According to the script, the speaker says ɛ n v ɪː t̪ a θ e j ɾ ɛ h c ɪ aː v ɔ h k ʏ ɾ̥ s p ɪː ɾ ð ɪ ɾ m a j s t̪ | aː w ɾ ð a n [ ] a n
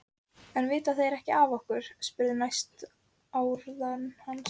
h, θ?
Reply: h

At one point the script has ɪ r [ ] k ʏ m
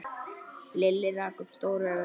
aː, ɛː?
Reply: aː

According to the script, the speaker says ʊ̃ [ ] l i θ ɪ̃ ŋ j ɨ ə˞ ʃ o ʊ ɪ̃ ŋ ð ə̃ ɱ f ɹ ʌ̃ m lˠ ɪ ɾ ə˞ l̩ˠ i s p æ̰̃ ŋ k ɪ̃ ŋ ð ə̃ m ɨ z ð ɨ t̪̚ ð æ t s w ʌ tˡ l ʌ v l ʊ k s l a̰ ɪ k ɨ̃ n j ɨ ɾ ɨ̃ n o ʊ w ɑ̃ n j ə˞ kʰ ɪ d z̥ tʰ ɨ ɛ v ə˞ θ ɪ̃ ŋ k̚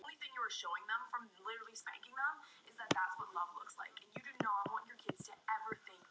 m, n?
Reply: n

